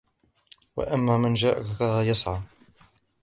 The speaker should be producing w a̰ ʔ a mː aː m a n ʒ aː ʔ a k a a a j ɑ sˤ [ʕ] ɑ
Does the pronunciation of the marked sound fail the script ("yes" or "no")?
no